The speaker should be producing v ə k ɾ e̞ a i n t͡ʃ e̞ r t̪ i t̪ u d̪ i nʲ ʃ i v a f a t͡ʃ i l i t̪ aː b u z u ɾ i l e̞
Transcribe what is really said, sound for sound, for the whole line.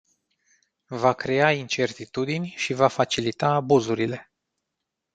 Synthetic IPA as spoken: v a k ɾ e̞ a i n t͡ʃ e̞ r t̪ i t̪ u d̪ i nʲ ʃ i v a f a t͡ʃ i l i t̪ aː b u z u ɾ i l e̞